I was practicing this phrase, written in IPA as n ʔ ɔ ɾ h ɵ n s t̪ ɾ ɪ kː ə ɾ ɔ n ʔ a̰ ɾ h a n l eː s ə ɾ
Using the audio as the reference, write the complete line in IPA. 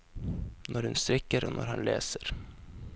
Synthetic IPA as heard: n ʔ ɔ ɾ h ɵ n s t̪ ɾ ɪ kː ə ɾ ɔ n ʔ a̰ ɾ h a n l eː s ə ɾ

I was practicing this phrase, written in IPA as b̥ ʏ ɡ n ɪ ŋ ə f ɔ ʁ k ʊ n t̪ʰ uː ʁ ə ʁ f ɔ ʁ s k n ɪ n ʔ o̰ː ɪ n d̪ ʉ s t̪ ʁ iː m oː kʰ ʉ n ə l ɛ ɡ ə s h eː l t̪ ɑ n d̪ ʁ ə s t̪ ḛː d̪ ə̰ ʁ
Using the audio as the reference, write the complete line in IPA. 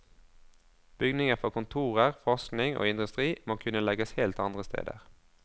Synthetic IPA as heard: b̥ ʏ ɡ n ɪ ŋ ə f ɔ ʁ k ʊ n t̪ʰ uː ʁ ə ʁ f ɔ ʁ s k n ɪ ŋ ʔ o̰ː ɪ n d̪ ʉ s t̪ ʁ iː m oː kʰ ʉ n ə l ɛ ɡ ə s h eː l t̪ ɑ n d̪ ʁ ə s t̪ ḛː d̪ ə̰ ʁ

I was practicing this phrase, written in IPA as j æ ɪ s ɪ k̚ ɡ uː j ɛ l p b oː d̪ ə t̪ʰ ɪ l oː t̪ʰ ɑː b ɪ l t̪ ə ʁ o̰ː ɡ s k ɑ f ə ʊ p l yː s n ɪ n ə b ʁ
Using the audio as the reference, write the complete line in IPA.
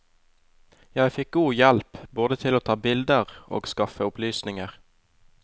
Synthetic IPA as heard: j æ ɪ f ɪ k̚ ɡ uː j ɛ l p b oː d̪ ə t̪ʰ ɪ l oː t̪ʰ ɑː b ɪ l d̪ ə ʁ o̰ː ɡ s k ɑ f ə ʊ p l yː s n ɪ ŋ ə ʁ

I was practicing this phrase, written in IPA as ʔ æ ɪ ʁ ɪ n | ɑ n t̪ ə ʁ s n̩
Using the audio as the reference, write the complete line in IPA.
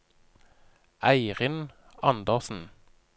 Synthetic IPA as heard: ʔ æ ɪ ʁ ɪ n | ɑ n d̪ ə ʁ s n̩

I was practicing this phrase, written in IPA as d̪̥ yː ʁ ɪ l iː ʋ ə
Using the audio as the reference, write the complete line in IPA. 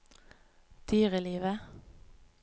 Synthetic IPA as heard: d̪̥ yː ʁ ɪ l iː ʋ ə

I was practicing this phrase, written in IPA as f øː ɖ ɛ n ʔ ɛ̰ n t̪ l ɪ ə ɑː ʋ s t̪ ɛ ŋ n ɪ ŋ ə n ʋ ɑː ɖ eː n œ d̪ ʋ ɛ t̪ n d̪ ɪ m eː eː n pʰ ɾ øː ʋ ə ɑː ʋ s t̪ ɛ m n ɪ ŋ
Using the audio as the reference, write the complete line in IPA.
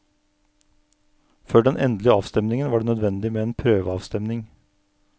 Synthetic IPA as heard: f øː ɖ ɛ n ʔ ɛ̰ n d̪ l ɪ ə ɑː ʋ s t̪ ɛ m n ɪ ŋ ə n ʋ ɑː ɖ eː n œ d̪ ʋ ɛ n d̪ ɪ m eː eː n pʰ ɾ øː ʋ ə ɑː ʋ s t̪ ɛ m n ɪ ŋ

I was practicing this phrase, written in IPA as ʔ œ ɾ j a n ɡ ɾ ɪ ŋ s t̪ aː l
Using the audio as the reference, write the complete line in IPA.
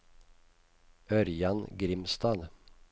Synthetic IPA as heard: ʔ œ ɾ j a n ɡ ɾ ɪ m s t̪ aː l

